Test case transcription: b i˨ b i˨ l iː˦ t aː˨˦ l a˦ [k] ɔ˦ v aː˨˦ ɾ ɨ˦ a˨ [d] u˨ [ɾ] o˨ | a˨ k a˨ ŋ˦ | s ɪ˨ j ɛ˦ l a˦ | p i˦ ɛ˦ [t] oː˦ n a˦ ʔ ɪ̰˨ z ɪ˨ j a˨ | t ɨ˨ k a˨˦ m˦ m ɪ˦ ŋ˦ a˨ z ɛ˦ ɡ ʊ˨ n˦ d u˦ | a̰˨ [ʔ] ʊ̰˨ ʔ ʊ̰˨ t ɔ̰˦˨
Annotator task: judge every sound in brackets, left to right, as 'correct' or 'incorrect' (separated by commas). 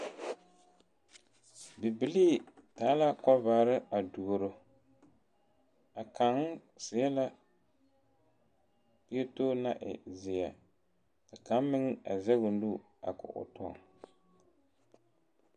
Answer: correct, correct, correct, correct, incorrect